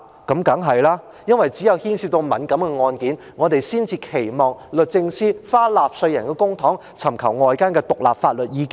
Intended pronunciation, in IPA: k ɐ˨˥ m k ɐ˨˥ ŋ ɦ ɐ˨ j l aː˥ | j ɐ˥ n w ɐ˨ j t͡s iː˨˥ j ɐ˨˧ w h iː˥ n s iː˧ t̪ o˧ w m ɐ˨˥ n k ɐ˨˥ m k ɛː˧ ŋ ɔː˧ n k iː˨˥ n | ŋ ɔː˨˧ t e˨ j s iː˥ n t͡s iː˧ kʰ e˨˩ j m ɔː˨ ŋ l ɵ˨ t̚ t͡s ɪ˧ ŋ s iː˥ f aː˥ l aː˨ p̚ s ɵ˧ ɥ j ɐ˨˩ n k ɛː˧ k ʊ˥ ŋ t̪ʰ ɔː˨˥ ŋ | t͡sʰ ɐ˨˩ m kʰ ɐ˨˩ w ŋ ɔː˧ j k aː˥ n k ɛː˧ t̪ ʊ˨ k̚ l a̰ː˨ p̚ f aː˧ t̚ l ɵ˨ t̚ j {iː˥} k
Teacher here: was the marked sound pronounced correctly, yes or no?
no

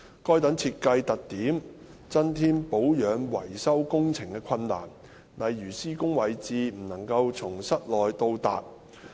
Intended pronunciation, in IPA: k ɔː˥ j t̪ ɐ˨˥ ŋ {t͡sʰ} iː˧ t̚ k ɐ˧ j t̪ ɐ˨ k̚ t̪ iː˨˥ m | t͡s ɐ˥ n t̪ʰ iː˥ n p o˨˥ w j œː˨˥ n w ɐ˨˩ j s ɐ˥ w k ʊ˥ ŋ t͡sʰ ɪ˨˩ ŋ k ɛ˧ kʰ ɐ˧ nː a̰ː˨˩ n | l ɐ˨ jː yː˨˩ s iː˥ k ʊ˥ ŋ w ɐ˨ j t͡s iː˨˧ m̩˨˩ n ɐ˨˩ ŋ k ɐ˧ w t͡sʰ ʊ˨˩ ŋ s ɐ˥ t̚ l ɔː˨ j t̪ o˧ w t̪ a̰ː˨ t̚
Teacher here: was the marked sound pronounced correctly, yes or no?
yes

